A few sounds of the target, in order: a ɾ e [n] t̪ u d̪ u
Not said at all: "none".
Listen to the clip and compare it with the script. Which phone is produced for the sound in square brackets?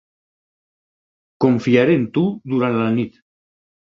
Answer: n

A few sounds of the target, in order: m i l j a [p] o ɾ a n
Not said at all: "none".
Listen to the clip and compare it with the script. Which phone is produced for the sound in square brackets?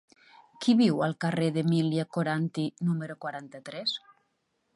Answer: k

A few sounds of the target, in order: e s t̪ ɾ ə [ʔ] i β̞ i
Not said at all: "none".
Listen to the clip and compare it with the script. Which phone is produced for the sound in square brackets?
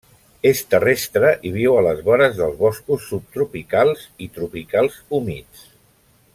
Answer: ʔ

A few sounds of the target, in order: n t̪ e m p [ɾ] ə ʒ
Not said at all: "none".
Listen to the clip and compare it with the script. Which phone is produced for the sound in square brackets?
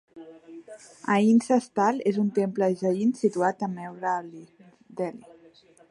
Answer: l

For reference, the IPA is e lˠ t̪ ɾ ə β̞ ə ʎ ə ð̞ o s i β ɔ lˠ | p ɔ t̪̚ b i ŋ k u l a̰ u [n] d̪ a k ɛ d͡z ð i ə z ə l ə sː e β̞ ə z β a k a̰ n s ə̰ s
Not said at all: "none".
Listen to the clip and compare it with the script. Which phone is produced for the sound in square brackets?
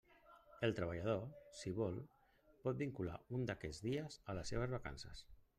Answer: n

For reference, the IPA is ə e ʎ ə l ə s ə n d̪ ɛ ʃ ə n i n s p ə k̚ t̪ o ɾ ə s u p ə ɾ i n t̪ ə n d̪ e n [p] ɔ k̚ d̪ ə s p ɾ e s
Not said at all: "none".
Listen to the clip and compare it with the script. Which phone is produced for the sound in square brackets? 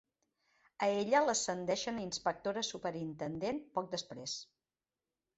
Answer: p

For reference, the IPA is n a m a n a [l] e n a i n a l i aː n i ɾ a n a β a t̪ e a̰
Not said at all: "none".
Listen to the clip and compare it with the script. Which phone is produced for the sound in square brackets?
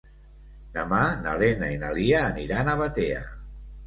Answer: l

